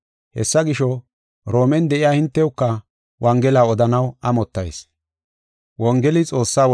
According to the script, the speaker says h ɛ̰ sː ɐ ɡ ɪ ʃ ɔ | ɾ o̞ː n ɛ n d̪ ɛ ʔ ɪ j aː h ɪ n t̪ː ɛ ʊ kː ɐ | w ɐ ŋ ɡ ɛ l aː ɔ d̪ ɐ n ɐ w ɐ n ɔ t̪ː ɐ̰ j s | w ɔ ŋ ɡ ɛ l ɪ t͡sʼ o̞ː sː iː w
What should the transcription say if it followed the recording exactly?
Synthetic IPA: h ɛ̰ sː ɐ ɡ ɪ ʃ ɔ | ɾ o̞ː m ɛ n d̪ ɛ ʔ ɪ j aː h ɪ n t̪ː ɛ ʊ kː ɐ | w ɐ ŋ ɡ ɛ l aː ɔ d̪ ɐ n ɐ w ɐ m ɔ t̪ː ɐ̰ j s | w ɔ ŋ ɡ ɛ l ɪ t͡sʼ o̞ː sː aː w